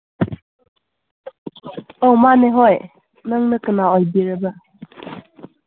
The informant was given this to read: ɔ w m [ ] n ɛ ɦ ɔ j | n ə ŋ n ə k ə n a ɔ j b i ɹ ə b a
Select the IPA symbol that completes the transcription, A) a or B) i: A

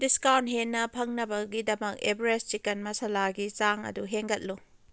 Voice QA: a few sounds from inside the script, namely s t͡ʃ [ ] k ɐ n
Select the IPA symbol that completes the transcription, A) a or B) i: B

